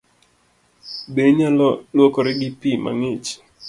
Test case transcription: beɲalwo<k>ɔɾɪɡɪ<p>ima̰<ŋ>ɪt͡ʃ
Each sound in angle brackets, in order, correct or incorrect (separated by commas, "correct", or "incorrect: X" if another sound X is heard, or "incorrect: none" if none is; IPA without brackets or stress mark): correct, correct, correct